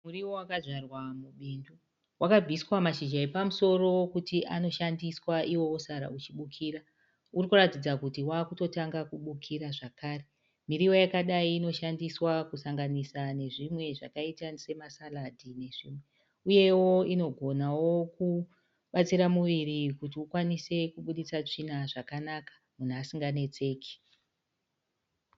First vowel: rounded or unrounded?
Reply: rounded